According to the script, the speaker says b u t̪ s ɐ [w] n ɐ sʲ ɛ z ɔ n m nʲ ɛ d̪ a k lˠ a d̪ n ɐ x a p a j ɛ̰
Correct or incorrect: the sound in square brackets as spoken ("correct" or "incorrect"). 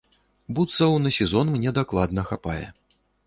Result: correct